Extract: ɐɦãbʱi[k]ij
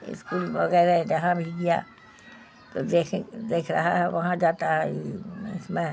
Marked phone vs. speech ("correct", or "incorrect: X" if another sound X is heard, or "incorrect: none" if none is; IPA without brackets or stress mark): incorrect: ɡ